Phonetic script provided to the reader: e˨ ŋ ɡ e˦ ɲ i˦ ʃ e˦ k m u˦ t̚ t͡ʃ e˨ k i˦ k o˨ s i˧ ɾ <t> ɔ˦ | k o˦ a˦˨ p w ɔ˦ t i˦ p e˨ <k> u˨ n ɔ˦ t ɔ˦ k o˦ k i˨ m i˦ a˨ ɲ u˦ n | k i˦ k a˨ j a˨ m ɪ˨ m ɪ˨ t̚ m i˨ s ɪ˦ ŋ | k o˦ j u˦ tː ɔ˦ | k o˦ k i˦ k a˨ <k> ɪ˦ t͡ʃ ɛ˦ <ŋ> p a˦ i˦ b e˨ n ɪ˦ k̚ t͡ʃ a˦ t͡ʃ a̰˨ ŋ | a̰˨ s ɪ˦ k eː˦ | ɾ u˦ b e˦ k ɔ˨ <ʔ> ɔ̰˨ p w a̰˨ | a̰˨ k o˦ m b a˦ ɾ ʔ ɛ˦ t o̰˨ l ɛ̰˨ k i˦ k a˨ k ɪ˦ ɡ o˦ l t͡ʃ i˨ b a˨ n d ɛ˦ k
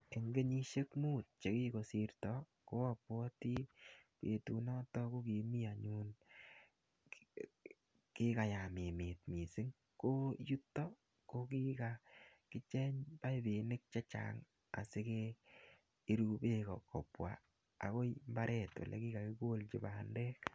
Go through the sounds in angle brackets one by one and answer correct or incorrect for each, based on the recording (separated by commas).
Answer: correct, incorrect, correct, incorrect, incorrect